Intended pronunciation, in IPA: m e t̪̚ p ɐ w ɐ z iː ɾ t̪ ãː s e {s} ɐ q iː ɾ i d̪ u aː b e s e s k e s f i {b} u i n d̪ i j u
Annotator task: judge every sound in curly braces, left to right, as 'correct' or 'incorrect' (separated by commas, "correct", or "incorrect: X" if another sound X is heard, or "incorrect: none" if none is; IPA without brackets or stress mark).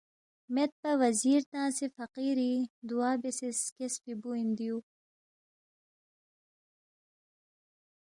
incorrect: f, correct